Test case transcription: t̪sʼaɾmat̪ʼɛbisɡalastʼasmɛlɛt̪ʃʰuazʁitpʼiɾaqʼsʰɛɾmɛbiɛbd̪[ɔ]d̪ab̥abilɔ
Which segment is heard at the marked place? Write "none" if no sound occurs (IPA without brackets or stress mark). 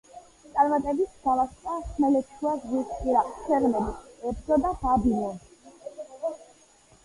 ɔ